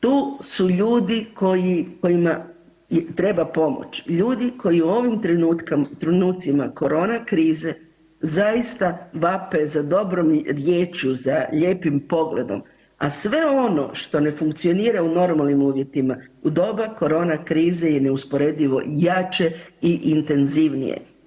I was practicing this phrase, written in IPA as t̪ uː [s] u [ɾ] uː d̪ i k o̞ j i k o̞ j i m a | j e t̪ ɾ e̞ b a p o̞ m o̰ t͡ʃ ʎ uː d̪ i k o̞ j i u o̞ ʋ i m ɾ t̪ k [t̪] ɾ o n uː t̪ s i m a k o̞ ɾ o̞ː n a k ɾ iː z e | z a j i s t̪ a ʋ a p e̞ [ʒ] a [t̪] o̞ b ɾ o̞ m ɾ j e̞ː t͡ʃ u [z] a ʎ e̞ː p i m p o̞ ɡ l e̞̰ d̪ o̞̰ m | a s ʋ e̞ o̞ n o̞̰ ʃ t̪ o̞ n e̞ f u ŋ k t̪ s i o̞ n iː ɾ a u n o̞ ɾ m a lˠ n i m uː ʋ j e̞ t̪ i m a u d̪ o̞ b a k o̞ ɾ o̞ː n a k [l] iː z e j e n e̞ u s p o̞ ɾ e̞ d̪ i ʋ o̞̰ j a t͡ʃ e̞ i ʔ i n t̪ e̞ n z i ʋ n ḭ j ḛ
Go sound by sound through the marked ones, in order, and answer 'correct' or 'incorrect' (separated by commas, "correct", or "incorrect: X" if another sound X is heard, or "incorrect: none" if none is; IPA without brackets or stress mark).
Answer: correct, incorrect: ʎ, correct, incorrect: z, incorrect: d̪, correct, incorrect: ɾ